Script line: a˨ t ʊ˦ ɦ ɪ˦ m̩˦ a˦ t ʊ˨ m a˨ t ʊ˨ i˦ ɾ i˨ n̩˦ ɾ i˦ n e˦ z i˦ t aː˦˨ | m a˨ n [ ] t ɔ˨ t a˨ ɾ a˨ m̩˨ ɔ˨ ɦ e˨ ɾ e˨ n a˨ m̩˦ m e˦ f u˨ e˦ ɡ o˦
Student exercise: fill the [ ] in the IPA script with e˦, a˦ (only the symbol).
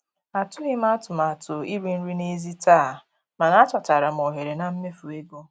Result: a˦